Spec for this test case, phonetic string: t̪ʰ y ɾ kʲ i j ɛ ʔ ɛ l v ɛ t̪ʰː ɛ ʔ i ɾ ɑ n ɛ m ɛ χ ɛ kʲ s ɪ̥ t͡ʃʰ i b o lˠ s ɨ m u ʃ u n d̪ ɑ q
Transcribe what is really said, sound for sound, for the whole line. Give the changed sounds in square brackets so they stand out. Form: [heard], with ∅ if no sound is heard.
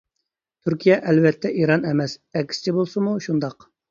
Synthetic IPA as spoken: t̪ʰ y ɾ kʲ i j ɛ ʔ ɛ l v ɛ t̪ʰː ɛ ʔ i ɾ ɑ n ɛ m ɛ [s] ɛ kʲ s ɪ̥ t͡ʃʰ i b o lˠ s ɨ m u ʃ u n d̪ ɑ q